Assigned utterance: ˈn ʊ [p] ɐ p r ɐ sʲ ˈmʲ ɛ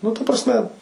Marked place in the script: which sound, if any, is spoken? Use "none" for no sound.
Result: t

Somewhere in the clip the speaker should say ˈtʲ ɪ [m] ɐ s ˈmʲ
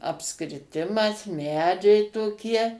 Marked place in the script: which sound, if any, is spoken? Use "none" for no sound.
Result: m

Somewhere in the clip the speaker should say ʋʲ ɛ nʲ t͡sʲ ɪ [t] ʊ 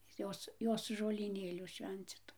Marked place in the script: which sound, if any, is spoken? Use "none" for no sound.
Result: t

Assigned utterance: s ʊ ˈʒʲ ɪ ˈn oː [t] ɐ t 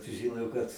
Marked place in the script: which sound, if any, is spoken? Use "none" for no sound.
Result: k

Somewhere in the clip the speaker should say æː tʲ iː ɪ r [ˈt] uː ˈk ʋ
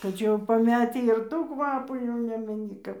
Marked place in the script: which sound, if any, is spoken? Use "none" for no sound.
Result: t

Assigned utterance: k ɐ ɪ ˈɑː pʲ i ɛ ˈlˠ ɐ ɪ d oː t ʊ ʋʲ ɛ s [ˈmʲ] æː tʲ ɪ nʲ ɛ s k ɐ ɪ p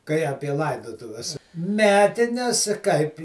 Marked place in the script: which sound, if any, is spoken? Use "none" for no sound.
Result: mʲ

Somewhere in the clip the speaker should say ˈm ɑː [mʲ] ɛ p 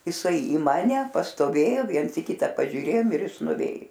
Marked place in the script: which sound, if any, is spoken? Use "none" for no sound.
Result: nʲ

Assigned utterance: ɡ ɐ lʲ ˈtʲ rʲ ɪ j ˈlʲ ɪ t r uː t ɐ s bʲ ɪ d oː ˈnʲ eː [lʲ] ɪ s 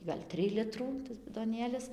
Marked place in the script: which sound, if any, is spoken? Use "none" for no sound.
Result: lʲ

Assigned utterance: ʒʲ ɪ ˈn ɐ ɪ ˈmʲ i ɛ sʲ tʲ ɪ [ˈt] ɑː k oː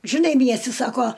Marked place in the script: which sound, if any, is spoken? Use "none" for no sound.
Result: s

